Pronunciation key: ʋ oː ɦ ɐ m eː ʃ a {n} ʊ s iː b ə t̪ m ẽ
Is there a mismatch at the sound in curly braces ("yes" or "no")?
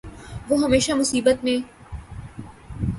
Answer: yes